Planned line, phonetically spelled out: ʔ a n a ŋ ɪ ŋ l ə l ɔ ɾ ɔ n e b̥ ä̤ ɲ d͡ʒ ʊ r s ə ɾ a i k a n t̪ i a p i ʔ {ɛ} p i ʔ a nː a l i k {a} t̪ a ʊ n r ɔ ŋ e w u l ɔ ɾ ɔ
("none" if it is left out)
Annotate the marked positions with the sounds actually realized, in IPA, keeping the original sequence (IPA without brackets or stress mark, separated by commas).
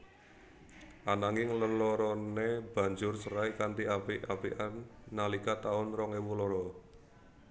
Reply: a, a